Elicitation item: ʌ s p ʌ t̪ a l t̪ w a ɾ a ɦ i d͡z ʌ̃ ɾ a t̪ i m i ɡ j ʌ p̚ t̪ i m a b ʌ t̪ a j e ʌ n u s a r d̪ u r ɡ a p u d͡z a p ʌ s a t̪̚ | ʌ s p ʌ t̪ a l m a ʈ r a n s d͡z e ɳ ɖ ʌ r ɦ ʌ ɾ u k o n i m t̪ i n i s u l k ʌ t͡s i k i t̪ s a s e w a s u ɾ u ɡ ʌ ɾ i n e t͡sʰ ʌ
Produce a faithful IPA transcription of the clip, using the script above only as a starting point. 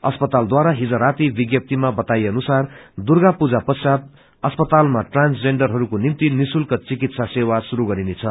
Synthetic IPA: ʌ s p ʌ t̪ a l d̪ w a ɾ a ɦ i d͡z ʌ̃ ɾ a t̪ i b i ɡ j ʌ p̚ t̪ i m a b ʌ t̪ a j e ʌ n u s a r d̪ u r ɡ a p u d͡z a p ʌ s a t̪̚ | ʌ s p ʌ t̪ a l m a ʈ r a n s d͡z e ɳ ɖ ʌ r ɦ ʌ ɾ u k o n i m t̪ i n i s u l k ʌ t͡s i k i t̪ s a s e w a s u ɾ u ɡ ʌ ɾ i n e t͡sʰ ʌ